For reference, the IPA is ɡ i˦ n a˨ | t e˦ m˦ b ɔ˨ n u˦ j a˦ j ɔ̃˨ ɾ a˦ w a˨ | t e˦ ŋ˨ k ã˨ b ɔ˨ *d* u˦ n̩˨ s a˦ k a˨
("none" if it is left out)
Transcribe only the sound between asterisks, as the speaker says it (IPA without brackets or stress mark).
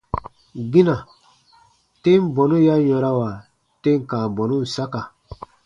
n